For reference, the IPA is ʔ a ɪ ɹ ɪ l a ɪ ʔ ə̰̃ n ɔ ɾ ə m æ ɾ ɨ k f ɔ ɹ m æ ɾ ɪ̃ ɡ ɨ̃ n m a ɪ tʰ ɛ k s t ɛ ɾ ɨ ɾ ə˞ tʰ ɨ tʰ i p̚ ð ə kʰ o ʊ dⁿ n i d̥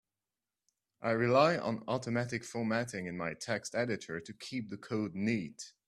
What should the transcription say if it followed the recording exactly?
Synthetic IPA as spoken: ʔ a ɪ ɹ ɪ l a ɪ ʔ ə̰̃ n ɔ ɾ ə m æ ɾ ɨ k f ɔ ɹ m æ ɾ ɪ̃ ŋ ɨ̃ n m a ɪ tʰ ɛ k s t ɛ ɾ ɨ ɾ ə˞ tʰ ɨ kʰ i p̚ ð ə kʰ o ʊ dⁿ n i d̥